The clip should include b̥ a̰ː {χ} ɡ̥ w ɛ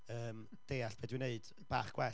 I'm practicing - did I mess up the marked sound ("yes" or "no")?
no